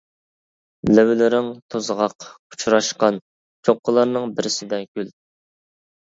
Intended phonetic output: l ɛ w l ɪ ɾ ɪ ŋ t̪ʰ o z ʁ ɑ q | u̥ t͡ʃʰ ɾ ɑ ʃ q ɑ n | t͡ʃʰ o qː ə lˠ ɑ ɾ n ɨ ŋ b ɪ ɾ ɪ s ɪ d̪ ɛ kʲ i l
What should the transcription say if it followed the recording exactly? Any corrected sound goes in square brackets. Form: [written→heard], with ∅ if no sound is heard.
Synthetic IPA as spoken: l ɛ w l ɪ ɾ ɪ ŋ t̪ʰ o z ʁ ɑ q | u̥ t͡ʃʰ ɾ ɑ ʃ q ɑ n | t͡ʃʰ o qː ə lˠ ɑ ɾ n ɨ ŋ b ɪ ɾ ɪ s ɪ d̪ ɛ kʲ [i→y] l